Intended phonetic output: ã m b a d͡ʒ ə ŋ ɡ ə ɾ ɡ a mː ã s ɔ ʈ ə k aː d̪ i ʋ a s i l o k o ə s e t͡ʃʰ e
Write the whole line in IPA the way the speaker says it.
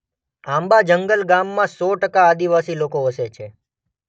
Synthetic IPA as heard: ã m b a d͡ʒ ə ŋ ɡ ə l ɡ a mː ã s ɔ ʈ ə k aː d̪ i ʋ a s i l o k o ə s e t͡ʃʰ e